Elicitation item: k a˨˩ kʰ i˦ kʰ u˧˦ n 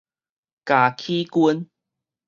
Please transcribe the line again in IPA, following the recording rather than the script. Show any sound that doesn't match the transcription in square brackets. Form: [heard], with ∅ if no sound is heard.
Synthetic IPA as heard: k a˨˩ kʰ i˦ [k] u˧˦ n